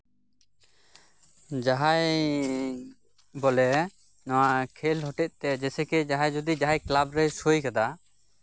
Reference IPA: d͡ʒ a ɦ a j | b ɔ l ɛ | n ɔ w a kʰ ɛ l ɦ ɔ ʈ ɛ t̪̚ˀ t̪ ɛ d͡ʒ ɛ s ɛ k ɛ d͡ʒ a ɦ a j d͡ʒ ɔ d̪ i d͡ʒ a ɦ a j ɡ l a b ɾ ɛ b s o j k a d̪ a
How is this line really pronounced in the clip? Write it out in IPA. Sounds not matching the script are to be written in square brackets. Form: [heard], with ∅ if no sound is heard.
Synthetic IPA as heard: d͡ʒ a ɦ a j | b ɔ l ɛ | n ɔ w a kʰ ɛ l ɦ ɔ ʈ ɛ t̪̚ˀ t̪ ɛ d͡ʒ ɛ s ɛ k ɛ d͡ʒ a ɦ a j d͡ʒ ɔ d̪ i d͡ʒ a ɦ a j [k] l a b ɾ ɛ [∅] s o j k a d̪ a